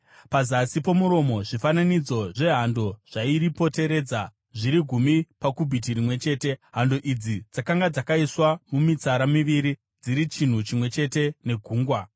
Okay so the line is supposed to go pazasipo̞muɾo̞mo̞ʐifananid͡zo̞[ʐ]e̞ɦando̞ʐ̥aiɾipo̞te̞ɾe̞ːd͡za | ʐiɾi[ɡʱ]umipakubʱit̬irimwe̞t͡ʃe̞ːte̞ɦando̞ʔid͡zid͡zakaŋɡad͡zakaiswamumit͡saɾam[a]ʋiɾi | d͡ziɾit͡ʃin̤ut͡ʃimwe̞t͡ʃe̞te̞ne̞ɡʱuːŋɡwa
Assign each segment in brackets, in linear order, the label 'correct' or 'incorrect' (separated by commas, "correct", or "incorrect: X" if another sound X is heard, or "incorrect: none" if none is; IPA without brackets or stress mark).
correct, correct, incorrect: i